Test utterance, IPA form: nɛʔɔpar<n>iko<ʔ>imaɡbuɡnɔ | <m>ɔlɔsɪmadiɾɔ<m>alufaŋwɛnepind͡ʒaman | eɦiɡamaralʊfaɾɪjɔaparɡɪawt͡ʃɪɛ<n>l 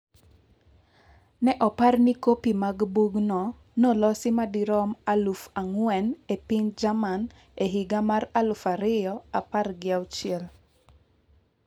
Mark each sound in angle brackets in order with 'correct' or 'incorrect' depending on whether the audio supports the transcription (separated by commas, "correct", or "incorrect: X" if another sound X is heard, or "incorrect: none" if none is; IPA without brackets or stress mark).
correct, incorrect: p, incorrect: n, correct, incorrect: none